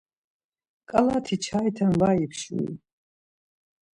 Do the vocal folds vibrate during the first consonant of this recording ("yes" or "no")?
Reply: no